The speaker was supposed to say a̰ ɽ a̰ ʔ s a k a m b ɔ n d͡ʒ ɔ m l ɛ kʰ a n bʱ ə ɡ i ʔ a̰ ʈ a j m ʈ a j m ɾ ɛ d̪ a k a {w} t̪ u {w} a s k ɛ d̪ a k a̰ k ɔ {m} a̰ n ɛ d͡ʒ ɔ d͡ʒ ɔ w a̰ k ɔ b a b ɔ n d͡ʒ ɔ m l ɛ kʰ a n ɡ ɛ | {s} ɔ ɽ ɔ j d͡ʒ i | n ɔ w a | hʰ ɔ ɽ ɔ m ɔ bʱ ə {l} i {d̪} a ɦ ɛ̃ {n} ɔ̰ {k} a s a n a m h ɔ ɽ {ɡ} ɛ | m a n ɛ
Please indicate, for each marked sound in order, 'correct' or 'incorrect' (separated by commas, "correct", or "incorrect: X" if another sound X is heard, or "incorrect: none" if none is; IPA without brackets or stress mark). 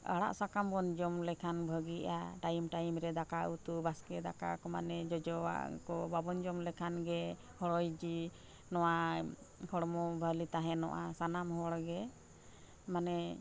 incorrect: u, incorrect: b, correct, incorrect: h, correct, incorrect: t̪, correct, incorrect: ʔ, correct